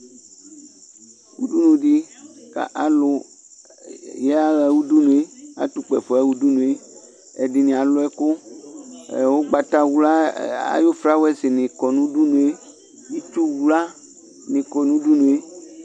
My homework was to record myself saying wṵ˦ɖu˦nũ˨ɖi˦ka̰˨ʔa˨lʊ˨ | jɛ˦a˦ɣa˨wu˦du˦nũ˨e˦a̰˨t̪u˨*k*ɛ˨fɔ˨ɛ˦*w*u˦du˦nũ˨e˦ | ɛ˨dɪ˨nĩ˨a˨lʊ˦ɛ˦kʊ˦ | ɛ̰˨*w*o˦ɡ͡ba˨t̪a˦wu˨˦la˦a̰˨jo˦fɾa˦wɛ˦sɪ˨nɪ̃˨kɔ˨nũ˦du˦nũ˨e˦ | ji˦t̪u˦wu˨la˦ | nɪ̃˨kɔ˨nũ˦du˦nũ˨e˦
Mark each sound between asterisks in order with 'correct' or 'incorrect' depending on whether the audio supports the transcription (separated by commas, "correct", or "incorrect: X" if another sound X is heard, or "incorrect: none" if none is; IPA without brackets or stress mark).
incorrect: k͡p, correct, correct